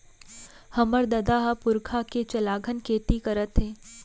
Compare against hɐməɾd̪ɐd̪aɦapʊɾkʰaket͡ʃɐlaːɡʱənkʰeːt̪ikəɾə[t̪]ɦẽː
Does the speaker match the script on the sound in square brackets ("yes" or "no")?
yes